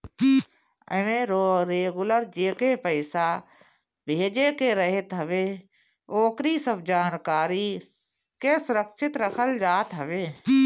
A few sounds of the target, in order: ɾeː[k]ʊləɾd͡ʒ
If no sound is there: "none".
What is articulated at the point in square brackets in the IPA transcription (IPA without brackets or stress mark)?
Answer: ɡ